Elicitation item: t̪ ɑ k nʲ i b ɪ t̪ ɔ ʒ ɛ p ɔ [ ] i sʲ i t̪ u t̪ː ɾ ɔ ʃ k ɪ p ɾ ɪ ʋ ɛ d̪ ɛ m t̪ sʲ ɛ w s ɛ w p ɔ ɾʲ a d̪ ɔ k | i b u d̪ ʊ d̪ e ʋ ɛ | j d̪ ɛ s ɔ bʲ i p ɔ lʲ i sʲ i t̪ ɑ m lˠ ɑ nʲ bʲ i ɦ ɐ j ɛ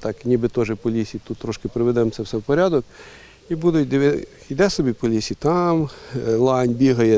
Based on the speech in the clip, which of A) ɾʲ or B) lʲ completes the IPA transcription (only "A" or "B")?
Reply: B